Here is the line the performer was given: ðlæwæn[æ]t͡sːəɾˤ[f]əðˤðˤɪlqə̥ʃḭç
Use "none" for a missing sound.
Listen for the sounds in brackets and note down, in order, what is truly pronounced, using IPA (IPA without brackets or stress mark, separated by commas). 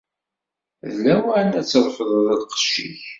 æ, f